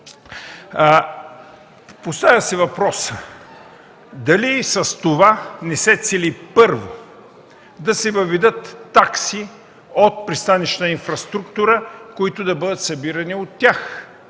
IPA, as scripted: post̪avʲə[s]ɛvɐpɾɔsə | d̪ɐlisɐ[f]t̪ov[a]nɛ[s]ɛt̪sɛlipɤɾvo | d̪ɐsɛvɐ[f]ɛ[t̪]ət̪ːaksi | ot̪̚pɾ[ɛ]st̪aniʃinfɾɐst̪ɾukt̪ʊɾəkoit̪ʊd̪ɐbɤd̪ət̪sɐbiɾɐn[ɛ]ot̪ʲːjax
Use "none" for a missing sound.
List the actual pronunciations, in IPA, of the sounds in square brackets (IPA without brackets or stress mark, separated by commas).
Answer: s, s, a, s, v, d̪, i, i